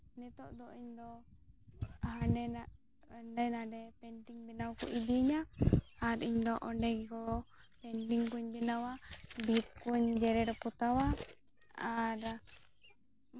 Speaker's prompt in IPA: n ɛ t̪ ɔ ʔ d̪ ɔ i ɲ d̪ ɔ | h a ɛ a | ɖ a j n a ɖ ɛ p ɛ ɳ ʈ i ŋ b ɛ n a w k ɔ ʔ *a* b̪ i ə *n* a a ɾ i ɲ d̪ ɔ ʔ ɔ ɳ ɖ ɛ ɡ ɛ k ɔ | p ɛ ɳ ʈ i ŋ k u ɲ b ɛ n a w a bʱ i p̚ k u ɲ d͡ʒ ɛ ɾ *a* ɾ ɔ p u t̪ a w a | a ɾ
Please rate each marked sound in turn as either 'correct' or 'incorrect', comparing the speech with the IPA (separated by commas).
incorrect, incorrect, incorrect